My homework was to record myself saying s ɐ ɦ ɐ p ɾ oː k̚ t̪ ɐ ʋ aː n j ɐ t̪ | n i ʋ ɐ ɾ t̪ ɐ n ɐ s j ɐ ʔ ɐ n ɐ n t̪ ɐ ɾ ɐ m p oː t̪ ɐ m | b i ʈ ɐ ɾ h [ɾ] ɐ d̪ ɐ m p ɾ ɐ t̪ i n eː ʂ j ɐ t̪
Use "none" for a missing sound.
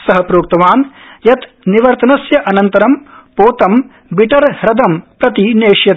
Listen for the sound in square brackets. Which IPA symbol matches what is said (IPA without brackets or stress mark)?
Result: ɾ